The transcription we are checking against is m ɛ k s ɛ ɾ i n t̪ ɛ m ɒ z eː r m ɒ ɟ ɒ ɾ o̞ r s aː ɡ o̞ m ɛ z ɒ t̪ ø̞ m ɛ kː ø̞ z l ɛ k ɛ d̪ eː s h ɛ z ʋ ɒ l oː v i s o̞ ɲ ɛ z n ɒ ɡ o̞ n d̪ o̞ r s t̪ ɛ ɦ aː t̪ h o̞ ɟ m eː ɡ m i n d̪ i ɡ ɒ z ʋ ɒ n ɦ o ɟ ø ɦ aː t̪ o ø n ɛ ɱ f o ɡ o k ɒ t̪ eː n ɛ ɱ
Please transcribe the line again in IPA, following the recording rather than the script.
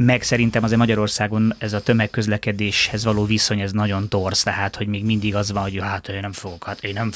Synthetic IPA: m ɛ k s ɛ ɾ i n t̪ ɛ m ɒ z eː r m ɒ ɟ ɒ ɾ o̞ r s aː ɡ o̞ n ɛ z ɒ t̪ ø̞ m ɛ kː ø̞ z l ɛ k ɛ d̪ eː ʃ h ɛ z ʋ ɒ l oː v i s o̞ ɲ ɛ z n ɒ ɟ o̞ n t̪ o̞ r s t̪ ɛ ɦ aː t̪ h o̞ ɟ m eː ɡ m i n d̪ i ɡ ɒ z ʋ ɒ n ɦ o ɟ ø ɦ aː t̪ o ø n ɛ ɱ f o ɡ o k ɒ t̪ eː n ɛ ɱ